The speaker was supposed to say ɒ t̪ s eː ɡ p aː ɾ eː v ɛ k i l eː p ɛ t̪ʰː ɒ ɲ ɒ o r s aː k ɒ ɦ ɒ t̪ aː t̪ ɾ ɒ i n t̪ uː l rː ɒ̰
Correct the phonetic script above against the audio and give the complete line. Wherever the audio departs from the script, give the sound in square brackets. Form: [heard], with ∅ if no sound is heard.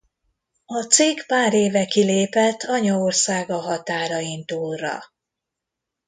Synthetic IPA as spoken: ɒ t̪ s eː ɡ p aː ɾ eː v ɛ k i l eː p ɛ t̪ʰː ɒ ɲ ɒ o r s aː [ɡ] ɒ ɦ ɒ t̪ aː [∅] ɾ ɒ i n t̪ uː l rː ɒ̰

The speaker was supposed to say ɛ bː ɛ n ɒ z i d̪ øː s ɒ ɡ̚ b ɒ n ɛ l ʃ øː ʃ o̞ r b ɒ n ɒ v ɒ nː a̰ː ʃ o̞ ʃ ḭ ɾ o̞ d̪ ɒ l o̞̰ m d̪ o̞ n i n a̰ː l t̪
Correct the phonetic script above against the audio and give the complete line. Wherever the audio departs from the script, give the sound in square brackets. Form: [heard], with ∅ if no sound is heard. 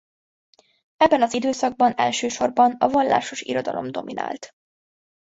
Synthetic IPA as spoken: ɛ bː ɛ n ɒ z i d̪ øː s ɒ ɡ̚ b ɒ n ɛ l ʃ øː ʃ o̞ r b ɒ n ɒ v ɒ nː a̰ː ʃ o̞ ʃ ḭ ɾ o̞ d̪ ɒ l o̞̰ m d̪ o̞ [m] i n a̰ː l t̪

